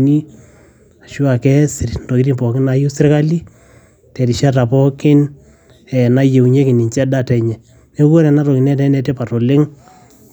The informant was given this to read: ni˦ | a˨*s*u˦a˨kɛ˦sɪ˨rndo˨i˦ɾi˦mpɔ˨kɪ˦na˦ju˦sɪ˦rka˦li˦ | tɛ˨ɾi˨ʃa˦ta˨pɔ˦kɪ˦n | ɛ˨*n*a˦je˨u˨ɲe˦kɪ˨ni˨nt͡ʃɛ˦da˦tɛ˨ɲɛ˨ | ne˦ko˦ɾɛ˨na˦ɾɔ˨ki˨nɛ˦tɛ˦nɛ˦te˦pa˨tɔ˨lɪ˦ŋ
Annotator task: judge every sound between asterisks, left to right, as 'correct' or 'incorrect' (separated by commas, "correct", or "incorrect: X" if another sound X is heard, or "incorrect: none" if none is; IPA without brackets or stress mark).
incorrect: ʃ, correct